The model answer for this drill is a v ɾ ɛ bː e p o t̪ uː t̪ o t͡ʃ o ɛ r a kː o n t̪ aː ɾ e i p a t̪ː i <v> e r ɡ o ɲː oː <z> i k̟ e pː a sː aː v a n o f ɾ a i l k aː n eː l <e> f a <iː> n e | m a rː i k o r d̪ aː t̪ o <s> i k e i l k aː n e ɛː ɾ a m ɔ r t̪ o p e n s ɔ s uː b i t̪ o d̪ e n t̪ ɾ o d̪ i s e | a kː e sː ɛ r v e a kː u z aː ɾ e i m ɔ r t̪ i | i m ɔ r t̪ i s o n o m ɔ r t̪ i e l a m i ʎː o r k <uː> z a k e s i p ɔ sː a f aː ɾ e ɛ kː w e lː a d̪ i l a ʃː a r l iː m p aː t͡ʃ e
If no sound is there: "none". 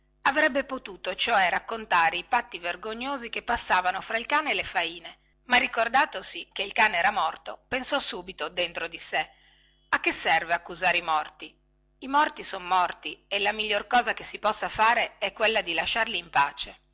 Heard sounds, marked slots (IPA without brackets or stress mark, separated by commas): v, z, e, iː, s, ɔː